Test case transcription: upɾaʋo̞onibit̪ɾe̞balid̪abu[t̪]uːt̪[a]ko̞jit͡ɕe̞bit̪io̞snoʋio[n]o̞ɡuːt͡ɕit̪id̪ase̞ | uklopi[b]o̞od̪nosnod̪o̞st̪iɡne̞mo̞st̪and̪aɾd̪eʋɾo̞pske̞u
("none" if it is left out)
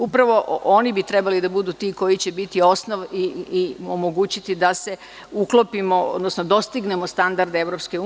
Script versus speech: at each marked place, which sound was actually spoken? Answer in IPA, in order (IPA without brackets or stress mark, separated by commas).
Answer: d̪, i, m, m